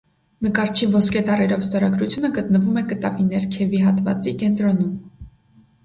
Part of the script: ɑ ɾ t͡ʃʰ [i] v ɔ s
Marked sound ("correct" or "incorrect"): correct